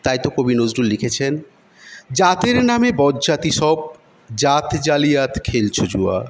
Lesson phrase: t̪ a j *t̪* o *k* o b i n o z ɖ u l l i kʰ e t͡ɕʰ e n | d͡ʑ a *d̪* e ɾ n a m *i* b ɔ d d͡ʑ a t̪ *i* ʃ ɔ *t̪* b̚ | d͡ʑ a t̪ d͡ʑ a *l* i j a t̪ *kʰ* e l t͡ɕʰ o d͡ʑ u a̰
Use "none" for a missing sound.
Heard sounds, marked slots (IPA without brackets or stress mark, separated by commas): t̪, k, t̪, e, i, none, l, kʰ